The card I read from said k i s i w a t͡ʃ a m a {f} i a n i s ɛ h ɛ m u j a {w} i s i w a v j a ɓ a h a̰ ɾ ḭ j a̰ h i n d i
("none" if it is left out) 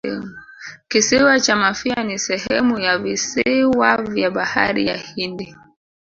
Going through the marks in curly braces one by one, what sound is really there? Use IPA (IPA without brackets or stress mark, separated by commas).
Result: f, v